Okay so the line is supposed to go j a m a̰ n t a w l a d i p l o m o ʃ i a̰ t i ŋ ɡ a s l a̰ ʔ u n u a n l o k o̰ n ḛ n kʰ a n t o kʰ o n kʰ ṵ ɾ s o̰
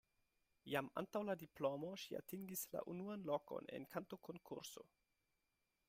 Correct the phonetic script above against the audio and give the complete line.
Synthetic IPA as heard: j a m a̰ n t a w l a d i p l o m o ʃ i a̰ t i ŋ ɡ i s l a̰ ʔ u n u a n l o k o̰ n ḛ n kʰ a n t o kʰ o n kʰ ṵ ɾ s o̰